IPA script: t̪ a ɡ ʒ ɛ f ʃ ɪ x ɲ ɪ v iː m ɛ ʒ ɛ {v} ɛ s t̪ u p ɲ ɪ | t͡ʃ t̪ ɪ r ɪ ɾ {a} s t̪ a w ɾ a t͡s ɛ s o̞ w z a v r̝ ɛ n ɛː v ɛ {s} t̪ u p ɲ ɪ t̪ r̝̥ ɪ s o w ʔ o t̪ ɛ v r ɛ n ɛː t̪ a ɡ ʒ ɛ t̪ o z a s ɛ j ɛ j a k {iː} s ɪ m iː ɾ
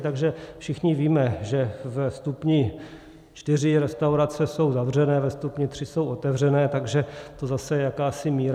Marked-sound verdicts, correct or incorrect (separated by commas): correct, incorrect, correct, incorrect